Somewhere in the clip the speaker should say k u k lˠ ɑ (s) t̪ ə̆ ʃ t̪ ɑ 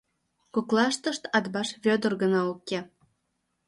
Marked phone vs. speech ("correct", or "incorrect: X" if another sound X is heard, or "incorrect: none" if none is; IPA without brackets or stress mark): incorrect: ʃ